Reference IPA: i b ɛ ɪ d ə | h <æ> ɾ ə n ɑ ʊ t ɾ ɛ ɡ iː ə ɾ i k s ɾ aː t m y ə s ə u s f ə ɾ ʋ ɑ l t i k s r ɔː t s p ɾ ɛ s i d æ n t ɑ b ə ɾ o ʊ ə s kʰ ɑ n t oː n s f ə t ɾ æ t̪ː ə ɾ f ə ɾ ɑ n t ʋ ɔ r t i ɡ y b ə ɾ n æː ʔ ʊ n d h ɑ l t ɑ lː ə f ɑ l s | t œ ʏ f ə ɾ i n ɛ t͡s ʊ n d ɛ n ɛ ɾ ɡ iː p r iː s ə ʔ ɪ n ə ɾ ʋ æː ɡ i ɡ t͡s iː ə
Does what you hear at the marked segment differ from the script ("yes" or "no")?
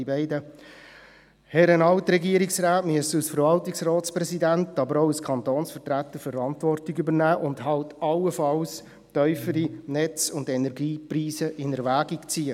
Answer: yes